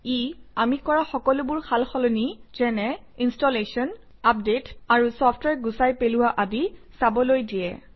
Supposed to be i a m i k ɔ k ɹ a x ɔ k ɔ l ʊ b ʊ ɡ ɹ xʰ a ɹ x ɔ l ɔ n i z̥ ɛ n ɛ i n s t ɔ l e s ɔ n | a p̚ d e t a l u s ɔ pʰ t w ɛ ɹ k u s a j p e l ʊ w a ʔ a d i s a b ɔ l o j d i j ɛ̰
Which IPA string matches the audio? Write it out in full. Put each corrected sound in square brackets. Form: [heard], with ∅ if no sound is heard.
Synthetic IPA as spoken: i a m i k ɔ [∅] ɹ a x ɔ k ɔ l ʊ b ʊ [∅] ɹ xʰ a [l] x ɔ l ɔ n i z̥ ɛ n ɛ i n s t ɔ l e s ɔ n | a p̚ d e t a [ɹ] u s ɔ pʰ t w ɛ ɹ [ɡ] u s a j p e l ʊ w a ʔ a d i s a b ɔ l o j d i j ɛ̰